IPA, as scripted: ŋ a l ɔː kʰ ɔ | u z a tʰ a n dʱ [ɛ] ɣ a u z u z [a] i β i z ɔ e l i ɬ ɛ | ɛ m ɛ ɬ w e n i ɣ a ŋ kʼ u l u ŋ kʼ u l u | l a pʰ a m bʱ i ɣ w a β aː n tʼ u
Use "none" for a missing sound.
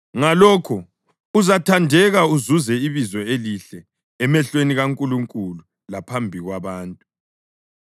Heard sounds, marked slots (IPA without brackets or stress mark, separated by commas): ɛ, ɛ